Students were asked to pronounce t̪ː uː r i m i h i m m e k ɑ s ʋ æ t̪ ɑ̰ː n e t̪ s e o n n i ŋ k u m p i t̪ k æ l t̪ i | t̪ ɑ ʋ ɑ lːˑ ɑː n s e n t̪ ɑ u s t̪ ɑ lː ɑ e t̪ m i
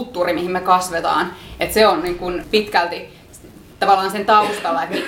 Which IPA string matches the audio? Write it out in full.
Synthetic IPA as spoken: t̪ː uː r i m i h i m m e k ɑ s ʋ e t̪ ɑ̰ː n e t̪ s e o n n i ŋ k u n p i t̪ k æ l t̪ i | t̪ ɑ ʋ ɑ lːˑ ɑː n s e n t̪ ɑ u s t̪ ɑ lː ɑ e t̪ m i